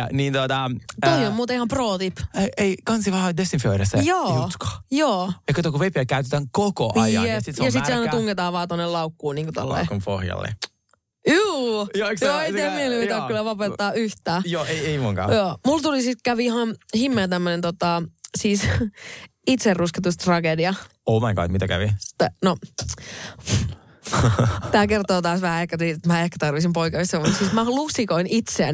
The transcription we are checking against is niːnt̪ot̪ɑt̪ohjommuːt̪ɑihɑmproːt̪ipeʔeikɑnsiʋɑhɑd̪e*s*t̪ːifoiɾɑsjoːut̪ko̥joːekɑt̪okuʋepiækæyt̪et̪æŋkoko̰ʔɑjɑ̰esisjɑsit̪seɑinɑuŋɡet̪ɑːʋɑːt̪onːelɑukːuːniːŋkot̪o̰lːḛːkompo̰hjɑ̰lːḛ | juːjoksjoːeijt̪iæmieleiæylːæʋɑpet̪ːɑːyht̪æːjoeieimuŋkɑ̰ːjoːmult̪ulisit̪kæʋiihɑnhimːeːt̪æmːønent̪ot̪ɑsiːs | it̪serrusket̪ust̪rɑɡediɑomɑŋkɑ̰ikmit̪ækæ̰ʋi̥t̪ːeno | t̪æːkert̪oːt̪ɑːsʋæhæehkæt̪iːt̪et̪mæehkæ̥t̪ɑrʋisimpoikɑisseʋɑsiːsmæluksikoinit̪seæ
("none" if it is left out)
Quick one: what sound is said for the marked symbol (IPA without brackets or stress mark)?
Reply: s